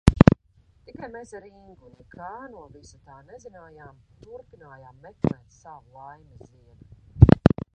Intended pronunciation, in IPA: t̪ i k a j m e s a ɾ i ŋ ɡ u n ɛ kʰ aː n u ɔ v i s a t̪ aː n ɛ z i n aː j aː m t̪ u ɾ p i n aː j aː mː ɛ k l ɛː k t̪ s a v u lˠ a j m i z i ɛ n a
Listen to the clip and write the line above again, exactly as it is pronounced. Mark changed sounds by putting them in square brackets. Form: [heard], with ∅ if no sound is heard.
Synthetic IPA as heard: t̪ i k a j m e s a ɾ i ŋ ɡ u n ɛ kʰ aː n u ɔ v i s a t̪ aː n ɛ z i n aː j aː m t̪ u ɾ p i n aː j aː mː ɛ k l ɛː [∅] t̪ s a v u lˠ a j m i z i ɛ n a